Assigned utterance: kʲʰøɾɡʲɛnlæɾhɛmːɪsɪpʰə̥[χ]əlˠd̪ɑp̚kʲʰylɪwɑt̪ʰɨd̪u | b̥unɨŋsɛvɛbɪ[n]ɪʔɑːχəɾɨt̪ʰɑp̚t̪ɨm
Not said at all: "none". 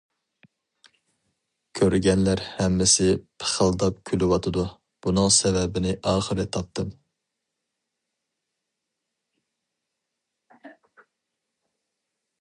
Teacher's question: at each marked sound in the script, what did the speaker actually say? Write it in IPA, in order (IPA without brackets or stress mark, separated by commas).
χ, n